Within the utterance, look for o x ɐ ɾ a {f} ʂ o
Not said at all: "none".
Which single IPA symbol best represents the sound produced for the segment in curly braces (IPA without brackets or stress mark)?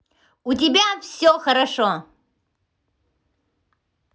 none